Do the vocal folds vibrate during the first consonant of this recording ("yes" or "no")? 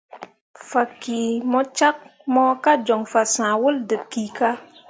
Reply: no